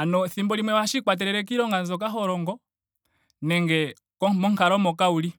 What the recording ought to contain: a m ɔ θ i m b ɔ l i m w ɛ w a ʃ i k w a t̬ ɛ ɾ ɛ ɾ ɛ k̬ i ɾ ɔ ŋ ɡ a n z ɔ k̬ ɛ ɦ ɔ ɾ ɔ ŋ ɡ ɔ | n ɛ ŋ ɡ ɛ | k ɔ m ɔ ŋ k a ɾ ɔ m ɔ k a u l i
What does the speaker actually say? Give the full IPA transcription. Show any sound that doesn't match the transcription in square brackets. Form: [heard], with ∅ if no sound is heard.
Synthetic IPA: a [n] ɔ θ i m b ɔ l i m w ɛ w a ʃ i k w a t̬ ɛ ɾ ɛ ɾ ɛ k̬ i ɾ ɔ ŋ ɡ a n z ɔ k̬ [a] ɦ ɔ ɾ ɔ ŋ ɡ ɔ | n ɛ ŋ ɡ ɛ | k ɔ m ɔ ŋ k a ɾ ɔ m ɔ k a u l i